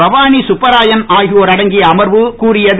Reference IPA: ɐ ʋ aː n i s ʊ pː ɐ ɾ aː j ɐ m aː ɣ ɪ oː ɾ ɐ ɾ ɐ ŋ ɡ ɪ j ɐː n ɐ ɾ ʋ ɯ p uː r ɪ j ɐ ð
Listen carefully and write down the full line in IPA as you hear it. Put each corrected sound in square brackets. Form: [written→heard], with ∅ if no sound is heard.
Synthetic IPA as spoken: ɐ ʋ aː n i s ʊ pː ɐ ɾ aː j ɐ [m→n] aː ɣ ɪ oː ɾ ɐ [ɾ→ɽ] ɐ ŋ ɡ ɪ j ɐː [n→m] ɐ ɾ ʋ ɯ [p→k] uː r ɪ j ɐ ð

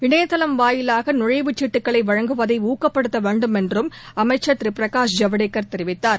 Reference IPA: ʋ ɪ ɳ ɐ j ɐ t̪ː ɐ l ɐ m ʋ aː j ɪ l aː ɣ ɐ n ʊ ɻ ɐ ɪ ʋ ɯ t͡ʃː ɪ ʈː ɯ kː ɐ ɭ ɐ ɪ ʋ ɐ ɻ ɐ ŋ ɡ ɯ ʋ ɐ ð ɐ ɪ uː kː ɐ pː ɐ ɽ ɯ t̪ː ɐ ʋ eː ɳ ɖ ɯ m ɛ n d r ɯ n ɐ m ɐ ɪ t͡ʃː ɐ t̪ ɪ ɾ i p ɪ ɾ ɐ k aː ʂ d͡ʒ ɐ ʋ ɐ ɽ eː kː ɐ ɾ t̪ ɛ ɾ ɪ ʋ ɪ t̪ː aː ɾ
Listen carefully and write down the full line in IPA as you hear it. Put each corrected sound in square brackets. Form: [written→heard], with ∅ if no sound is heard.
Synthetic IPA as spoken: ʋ ɪ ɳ ɐ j ɐ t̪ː ɐ l ɐ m ʋ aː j ɪ l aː ɣ ɐ n ʊ ɻ ɐ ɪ ʋ ɯ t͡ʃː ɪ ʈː ɯ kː ɐ ɭ ɐ ɪ ʋ ɐ ɻ ɐ ŋ ɡ ɯ ʋ ɐ ð ɐ ɪ uː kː ɐ pː ɐ ɽ ɯ t̪ː ɐ ʋ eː ɳ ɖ ɯ m ɛ n d r ɯ [n→m] ɐ m ɐ ɪ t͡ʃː ɐ t̪ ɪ ɾ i p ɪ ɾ ɐ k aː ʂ d͡ʒ ɐ ʋ ɐ ɽ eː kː ɐ ɾ t̪ ɛ ɾ ɪ ʋ ɪ t̪ː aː ɾ

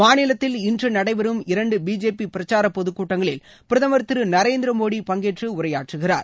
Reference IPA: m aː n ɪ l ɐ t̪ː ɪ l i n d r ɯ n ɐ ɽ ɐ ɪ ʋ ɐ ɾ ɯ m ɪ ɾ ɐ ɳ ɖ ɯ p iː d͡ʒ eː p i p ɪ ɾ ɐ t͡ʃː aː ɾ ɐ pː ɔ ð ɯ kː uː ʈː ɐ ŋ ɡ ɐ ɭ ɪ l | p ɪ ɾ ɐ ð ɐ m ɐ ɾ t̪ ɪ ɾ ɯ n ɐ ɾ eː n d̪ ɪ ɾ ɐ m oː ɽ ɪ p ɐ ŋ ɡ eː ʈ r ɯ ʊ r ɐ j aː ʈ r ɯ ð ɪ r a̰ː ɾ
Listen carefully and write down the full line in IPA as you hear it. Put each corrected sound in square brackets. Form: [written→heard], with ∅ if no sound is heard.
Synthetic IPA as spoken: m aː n ɪ l ɐ t̪ː ɪ l [i→ɪ] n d r ɯ n ɐ ɽ ɐ ɪ ʋ ɐ ɾ ɯ m ɪ ɾ ɐ ɳ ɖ ɯ [p→b] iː d͡ʒ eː p i p ɪ ɾ ɐ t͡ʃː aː ɾ ɐ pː ɔ ð ɯ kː uː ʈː ɐ ŋ ɡ ɐ ɭ ɪ l | p ɪ ɾ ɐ ð ɐ m ɐ ɾ t̪ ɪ ɾ ɯ n ɐ ɾ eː n d̪ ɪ ɾ ɐ m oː ɽ [ɪ→i] p ɐ ŋ ɡ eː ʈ r ɯ ʊ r ɐ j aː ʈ r ɯ [ð→ɣ] ɪ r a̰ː ɾ

